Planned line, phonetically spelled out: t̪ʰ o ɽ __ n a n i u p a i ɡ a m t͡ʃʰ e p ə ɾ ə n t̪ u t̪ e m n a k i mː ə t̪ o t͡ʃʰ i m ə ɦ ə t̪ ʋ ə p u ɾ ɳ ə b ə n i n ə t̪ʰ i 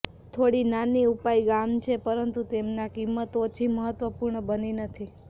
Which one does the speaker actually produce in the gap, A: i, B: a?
A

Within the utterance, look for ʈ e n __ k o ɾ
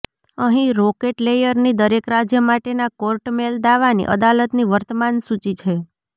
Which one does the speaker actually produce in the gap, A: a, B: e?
A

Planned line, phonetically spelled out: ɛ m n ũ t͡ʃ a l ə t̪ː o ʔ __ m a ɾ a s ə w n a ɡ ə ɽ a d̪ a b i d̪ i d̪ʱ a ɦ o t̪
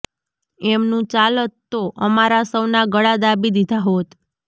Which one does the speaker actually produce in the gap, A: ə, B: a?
A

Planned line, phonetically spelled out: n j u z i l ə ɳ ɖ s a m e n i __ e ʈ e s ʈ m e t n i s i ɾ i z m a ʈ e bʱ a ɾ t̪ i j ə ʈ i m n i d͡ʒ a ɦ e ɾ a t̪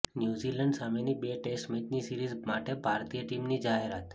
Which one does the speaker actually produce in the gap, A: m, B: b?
B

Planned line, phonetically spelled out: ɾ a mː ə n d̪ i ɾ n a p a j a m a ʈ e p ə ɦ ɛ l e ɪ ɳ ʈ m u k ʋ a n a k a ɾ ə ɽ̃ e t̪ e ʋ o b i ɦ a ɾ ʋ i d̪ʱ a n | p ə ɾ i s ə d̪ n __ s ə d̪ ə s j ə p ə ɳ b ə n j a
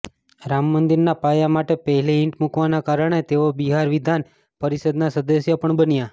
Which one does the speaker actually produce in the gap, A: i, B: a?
B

